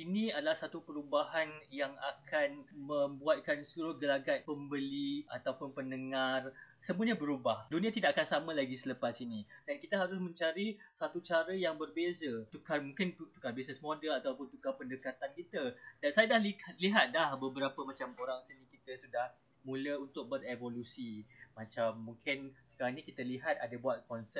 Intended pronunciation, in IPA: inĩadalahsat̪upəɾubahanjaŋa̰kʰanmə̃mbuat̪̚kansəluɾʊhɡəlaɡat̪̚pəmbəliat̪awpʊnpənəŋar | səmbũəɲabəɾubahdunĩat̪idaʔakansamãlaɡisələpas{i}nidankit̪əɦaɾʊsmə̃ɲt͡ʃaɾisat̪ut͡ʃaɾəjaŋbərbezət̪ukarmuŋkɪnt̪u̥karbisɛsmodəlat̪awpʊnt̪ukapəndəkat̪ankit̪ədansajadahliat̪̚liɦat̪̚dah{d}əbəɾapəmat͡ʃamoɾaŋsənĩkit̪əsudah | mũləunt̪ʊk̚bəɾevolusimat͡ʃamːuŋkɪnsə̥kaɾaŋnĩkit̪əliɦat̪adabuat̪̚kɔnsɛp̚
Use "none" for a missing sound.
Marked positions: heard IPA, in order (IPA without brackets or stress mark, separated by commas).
i, b